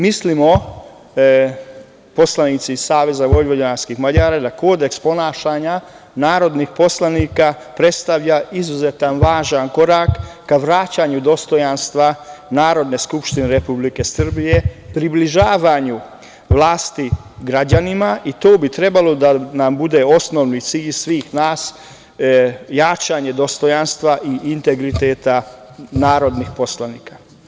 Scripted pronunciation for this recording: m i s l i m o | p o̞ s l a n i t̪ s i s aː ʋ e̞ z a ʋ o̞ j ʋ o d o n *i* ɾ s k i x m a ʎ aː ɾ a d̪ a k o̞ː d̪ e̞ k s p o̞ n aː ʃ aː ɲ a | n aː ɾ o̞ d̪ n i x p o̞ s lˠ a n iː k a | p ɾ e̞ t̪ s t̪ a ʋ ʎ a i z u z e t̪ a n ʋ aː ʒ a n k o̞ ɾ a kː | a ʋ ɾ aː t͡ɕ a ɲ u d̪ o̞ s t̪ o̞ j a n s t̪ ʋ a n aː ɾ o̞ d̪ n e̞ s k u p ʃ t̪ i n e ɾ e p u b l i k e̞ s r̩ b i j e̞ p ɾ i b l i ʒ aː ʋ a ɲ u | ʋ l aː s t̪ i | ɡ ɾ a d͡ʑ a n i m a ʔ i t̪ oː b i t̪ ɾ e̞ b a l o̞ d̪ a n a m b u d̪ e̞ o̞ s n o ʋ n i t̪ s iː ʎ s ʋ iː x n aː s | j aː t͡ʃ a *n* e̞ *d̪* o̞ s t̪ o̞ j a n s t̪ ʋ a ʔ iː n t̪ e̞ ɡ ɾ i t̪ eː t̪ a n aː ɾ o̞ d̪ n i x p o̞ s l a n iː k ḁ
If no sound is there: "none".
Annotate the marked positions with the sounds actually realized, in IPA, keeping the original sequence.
a, ɲ, d̪

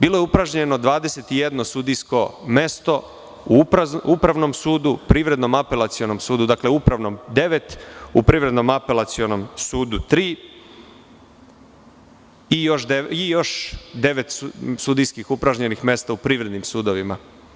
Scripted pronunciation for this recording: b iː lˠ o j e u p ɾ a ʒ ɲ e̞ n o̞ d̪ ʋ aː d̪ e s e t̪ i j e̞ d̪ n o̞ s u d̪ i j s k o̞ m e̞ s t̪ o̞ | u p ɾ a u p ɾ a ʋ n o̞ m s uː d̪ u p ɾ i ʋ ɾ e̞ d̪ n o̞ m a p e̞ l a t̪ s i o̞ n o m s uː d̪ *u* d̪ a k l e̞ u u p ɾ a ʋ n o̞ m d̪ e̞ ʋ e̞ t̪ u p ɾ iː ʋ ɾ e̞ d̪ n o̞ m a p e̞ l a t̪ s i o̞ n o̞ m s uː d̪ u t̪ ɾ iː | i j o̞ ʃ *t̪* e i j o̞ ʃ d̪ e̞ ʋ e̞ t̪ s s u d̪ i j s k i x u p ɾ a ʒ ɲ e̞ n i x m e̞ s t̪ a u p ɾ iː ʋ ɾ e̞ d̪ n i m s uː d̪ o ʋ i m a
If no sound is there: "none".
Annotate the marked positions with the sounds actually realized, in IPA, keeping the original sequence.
u, d̪

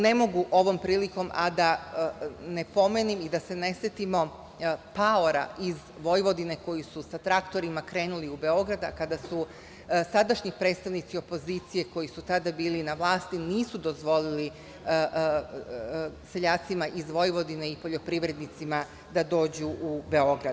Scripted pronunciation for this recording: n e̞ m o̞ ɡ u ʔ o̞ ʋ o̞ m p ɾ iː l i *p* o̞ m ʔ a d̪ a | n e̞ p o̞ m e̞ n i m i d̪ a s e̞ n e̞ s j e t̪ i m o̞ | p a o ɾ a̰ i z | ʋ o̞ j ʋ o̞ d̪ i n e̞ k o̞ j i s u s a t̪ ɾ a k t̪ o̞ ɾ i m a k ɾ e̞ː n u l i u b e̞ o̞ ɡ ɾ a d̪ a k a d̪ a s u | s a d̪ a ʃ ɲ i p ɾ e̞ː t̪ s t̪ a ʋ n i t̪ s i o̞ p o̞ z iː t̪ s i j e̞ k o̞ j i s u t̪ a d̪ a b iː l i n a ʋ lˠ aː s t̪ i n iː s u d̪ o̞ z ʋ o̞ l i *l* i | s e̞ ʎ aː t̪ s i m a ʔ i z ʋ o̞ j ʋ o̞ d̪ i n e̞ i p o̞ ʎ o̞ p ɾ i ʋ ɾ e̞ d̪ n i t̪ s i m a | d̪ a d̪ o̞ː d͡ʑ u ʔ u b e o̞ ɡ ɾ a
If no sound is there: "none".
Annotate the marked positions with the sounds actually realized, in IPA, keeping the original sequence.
k, l

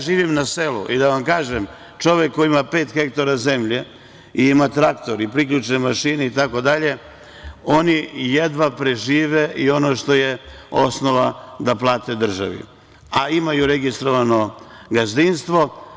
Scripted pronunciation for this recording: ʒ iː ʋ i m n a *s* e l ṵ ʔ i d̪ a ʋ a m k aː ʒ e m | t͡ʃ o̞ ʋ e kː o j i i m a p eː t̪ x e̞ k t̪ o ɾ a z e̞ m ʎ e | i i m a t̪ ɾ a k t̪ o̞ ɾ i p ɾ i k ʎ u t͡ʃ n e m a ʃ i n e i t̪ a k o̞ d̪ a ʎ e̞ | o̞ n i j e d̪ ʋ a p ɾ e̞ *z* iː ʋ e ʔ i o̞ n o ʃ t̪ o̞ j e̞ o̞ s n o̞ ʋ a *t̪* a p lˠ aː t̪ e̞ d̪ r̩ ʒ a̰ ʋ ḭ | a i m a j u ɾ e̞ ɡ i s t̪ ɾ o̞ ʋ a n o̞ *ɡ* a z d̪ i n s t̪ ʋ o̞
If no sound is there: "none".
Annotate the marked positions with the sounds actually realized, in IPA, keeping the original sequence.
s, ʒ, d̪, ɡ

